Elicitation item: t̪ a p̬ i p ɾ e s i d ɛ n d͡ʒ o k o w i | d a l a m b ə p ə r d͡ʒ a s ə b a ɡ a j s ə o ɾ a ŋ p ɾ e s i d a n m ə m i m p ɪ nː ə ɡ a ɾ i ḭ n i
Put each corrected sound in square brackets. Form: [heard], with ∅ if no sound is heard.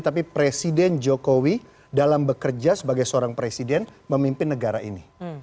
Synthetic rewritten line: t̪ a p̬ i p ɾ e s i d ɛ n d͡ʒ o k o w i | d a l a m b ə [k] ə r d͡ʒ a s ə b a ɡ a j s ə o ɾ a ŋ p ɾ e s i d [ɛ] n m ə m i m p ɪ nː ə ɡ a ɾ [a] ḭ n i